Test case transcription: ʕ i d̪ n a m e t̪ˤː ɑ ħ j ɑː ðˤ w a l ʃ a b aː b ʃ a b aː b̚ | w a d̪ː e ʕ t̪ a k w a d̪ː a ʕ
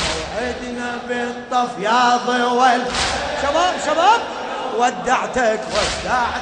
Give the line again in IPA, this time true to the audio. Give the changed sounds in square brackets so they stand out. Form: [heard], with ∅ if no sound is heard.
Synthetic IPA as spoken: ʕ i d̪ n a [b] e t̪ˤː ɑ [f] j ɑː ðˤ w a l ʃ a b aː b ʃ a b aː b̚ | w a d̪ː [a] ʕ t̪ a k w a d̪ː a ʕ